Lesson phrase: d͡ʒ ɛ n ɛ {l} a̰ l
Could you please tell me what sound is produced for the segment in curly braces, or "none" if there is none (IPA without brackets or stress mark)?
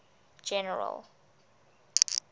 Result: ɹ